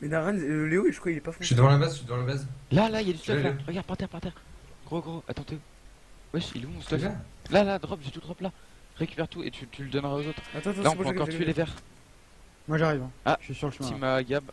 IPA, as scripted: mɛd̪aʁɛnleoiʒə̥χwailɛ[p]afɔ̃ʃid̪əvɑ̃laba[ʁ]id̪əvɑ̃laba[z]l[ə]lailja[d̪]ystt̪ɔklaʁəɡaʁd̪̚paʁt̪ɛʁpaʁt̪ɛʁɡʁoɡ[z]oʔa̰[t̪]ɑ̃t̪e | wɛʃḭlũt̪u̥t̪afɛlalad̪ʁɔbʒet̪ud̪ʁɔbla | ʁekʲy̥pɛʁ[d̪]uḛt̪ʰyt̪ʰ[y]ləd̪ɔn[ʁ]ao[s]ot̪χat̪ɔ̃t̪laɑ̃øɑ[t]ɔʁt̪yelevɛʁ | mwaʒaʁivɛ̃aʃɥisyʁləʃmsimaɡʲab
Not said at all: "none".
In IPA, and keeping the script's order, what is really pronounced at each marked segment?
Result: p, z, z, a, d̪, ʁ, t̪, t̪, y, ʁ, z, k

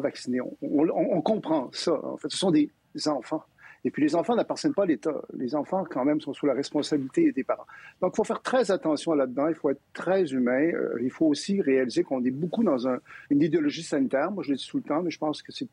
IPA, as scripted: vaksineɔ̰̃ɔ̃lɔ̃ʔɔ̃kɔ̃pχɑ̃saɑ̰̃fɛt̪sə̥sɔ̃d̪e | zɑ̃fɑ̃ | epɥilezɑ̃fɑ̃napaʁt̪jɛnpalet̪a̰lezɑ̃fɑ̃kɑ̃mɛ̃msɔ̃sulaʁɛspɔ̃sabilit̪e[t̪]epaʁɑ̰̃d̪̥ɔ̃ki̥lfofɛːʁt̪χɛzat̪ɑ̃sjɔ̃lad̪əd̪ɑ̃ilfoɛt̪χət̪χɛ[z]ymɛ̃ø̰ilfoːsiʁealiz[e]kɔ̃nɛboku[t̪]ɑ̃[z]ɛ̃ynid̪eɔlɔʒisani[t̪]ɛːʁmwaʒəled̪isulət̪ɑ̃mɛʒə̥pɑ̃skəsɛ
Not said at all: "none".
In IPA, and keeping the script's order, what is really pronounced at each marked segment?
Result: d̪, z, e, d̪, z, t̪

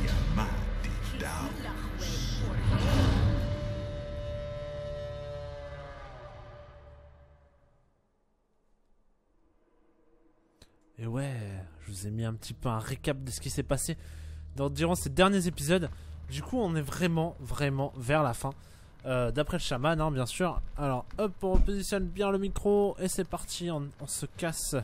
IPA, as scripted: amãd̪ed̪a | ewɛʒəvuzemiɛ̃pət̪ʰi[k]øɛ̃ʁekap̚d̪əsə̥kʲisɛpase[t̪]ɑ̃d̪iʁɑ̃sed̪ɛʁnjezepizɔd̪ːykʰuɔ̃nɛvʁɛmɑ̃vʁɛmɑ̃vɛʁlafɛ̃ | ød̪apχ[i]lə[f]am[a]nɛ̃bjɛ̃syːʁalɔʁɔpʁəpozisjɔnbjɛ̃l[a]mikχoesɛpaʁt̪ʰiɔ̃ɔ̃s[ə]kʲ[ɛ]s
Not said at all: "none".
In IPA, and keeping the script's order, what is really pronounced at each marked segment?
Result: p, d̪, ɛ, ʃ, a, ə, ə, a

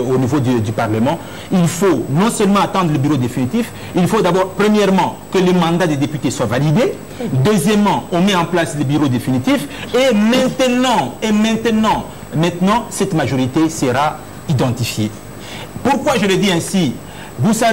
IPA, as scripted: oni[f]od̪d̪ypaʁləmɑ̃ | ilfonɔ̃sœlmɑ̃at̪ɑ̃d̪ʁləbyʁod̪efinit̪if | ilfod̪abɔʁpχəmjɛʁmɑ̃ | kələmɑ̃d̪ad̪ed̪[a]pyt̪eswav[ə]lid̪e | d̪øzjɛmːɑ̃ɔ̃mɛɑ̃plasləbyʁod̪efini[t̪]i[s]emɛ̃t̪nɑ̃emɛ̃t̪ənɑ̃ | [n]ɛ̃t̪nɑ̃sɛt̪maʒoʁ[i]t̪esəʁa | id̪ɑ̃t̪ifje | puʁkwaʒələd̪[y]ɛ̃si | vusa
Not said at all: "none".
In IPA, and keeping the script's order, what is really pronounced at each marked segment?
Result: v, e, a, t̪, f, m, i, i

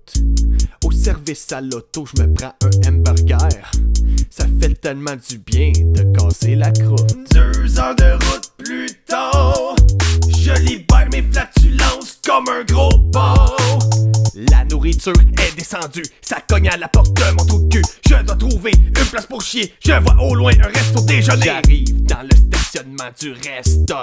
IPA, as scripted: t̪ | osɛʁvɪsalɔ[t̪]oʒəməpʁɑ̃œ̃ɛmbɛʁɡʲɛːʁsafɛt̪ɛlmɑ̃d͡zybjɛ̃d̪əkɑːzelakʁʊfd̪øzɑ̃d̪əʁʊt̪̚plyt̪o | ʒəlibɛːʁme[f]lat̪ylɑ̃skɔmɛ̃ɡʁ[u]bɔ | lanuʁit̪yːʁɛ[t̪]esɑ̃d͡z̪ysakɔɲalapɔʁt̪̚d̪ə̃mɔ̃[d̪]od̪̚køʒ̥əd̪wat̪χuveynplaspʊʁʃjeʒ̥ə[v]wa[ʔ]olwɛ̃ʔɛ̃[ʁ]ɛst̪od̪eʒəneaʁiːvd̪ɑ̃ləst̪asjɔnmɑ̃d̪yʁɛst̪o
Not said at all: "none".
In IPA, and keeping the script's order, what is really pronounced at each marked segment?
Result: t̪, f, o, d̪, t̪, v, ʔ, ʁ

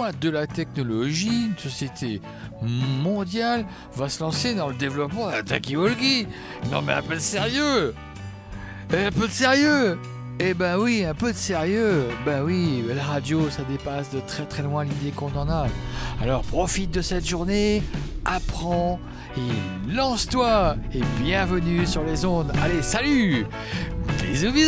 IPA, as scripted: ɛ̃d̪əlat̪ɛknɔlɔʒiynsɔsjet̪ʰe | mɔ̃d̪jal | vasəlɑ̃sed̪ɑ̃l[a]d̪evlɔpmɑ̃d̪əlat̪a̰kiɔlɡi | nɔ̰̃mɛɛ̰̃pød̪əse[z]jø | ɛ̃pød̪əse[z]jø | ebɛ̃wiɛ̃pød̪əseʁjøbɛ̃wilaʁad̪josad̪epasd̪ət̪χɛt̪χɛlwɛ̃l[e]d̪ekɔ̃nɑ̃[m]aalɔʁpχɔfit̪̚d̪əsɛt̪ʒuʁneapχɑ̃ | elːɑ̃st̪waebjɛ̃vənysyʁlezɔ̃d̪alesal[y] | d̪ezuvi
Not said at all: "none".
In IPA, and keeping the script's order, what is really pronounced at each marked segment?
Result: ə, ʁ, ʁ, i, n, y

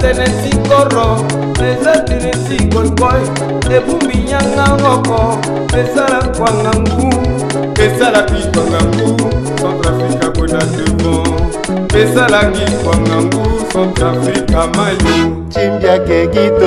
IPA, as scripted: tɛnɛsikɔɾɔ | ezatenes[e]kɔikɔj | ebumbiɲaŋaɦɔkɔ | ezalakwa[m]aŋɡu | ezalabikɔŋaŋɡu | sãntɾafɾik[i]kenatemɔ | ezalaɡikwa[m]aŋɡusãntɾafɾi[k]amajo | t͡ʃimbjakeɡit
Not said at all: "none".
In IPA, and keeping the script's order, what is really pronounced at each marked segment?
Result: i, ŋ, a, ŋ, k

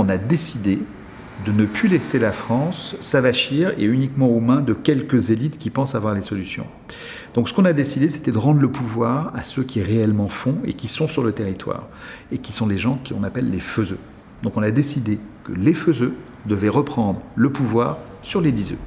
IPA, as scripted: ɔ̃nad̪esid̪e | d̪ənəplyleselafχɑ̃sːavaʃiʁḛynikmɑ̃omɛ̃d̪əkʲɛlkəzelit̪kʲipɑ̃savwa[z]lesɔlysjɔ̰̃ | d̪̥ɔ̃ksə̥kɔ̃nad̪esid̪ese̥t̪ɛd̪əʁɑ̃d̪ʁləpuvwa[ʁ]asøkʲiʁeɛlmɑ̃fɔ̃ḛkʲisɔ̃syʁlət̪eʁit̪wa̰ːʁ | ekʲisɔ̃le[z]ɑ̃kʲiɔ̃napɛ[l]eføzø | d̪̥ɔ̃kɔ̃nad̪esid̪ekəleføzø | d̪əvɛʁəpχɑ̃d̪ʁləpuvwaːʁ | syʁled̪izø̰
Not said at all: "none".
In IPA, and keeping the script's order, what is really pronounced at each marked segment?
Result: ʁ, ʁ, ʒ, lː

